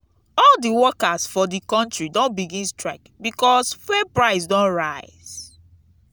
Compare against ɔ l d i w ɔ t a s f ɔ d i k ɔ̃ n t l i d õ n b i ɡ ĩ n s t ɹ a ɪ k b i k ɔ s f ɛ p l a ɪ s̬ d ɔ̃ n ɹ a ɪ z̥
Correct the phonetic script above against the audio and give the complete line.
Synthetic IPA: ɔ l d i w ɔ k a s f ɔ d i k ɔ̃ n t ɹ i d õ n b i ɡ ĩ n s t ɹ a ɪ k b i k ɔ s f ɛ p ɹ a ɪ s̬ d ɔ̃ n ɹ a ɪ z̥